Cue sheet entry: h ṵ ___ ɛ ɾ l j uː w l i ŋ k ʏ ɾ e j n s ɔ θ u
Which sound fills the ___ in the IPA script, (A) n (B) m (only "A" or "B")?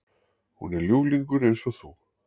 A